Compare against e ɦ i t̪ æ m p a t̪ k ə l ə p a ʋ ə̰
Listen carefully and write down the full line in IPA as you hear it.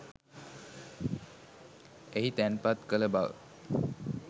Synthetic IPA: e ɦ i t̪ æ n p a t̪ k ə l ə b a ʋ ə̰